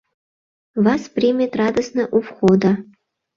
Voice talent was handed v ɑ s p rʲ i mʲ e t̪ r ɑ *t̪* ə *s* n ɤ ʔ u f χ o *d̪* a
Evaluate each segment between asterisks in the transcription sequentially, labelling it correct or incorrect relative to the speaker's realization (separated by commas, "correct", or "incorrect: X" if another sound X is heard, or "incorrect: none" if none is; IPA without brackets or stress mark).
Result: incorrect: d̪, correct, correct